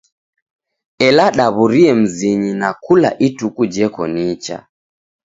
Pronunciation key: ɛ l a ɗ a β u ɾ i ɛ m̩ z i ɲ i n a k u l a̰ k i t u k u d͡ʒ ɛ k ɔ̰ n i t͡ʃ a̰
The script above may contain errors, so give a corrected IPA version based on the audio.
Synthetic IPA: ɛ l a ɗ a β u ɾ i ɛ m̩ z i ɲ i n a k u l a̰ ʔ i t u k u d͡ʒ ɛ k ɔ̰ n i t͡ʃ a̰